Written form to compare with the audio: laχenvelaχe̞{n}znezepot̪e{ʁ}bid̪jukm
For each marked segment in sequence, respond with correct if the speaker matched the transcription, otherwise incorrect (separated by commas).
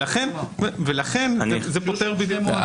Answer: correct, correct